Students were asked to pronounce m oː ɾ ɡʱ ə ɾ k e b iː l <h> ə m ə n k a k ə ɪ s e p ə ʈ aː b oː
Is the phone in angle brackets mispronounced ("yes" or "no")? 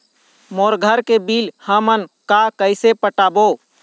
no